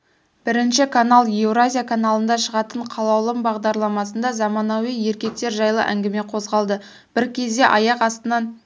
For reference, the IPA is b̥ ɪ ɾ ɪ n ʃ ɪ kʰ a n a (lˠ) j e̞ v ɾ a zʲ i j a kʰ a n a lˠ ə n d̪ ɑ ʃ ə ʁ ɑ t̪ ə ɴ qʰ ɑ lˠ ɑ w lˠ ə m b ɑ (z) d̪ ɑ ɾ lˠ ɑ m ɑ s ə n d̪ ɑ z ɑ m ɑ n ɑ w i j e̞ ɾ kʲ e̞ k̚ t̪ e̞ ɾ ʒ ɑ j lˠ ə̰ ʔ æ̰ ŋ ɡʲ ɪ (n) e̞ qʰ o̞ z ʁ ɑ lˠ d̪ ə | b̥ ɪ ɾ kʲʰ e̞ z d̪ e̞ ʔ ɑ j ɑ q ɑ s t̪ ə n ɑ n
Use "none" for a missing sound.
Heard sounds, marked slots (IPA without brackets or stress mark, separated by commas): lˠ, ʁ, m